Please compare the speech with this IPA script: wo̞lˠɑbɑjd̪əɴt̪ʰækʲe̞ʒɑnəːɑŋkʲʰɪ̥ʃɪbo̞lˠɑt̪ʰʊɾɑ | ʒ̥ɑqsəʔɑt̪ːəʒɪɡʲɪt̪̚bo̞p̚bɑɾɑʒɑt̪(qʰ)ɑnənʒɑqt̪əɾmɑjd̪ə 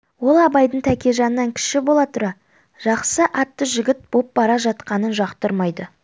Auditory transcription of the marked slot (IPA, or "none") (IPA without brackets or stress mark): q